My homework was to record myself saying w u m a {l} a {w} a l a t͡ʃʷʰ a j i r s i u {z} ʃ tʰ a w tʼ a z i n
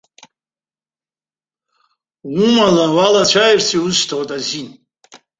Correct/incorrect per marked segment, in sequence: correct, correct, correct

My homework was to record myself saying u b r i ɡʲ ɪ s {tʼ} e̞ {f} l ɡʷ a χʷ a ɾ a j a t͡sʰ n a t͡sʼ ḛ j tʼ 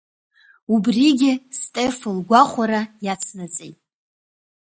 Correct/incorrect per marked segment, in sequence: correct, correct

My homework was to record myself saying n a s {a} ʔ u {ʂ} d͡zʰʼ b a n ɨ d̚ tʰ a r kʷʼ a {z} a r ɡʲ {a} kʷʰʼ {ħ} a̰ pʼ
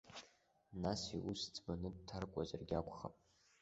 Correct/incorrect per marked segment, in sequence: incorrect: i, incorrect: s, correct, correct, incorrect: χ

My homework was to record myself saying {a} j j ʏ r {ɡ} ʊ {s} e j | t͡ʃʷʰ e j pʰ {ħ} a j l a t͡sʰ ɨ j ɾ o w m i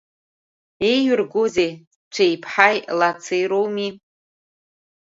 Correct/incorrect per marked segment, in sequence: incorrect: e, correct, incorrect: z, correct

